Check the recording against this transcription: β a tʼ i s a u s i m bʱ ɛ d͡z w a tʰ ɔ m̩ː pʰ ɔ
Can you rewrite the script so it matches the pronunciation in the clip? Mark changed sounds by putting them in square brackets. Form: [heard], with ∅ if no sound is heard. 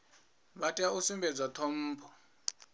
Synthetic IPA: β a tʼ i [∅] a u s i m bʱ ɛ d͡z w a tʰ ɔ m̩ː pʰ ɔ

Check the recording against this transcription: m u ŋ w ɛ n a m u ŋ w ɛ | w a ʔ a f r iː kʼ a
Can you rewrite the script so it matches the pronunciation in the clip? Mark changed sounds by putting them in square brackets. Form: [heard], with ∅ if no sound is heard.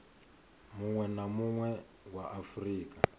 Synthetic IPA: m u ŋ w ɛ n a m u ŋ w ɛ | w a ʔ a f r iː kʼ a

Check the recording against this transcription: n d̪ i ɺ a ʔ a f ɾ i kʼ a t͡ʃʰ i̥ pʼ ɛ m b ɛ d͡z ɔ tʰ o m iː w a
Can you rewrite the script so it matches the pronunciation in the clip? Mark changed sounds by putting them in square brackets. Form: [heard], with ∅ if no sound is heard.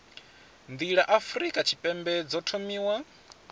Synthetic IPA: n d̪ i ɺ a ʔ a f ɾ i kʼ a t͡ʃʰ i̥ pʼ ɛ m b ɛ d͡z ɔ tʰ o m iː w a

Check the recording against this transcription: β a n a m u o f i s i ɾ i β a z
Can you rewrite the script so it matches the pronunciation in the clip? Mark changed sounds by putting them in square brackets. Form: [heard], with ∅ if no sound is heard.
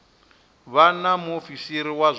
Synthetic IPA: β a n a m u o f i s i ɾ i [w] a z

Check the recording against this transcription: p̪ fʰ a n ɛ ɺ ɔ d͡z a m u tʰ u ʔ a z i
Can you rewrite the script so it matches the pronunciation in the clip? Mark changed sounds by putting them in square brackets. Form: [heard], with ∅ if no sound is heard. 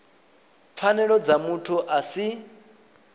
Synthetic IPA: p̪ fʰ a n ɛ ɺ ɔ d͡z a m u tʰ u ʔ a [s] i

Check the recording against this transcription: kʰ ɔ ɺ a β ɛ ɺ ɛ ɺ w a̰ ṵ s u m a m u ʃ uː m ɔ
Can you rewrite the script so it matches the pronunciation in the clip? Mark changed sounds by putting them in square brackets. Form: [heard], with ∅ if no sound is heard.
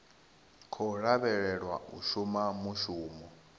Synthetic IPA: kʰ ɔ ɺ a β ɛ ɺ ɛ ɺ w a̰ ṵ [ʃ] u m a m u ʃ uː m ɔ

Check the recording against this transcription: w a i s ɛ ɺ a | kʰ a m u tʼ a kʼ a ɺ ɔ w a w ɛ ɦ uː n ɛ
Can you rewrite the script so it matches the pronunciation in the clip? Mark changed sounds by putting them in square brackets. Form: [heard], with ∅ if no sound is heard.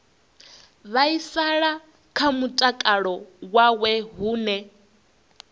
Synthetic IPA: [β] a i s [a] ɺ a | kʰ a m u tʼ a kʼ a ɺ ɔ w a w ɛ ɦ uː n ɛ

